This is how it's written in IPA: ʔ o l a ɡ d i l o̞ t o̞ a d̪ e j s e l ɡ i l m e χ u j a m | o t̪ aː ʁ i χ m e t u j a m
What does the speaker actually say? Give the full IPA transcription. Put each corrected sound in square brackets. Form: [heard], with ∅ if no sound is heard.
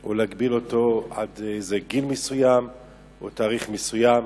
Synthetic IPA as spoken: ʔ o l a ɡ [b] i l o̞ t o̞ a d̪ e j [z] e [∅] ɡ i l m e [s] u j a m | o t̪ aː ʁ i χ m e [s] u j a m